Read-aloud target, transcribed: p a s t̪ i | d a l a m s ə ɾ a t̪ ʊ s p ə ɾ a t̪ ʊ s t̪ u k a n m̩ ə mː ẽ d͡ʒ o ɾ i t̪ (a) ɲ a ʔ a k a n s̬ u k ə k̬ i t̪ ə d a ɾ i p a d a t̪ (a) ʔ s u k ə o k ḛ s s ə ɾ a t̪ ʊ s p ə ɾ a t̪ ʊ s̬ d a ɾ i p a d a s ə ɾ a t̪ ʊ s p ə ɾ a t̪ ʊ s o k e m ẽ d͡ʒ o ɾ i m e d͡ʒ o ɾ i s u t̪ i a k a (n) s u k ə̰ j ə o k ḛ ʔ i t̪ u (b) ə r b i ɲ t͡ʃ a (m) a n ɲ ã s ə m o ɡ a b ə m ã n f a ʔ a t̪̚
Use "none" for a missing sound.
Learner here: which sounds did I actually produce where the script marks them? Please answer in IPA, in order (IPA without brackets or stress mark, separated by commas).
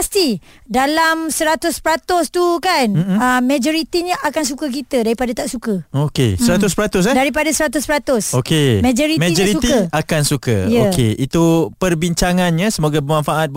i, a, n, p, ŋ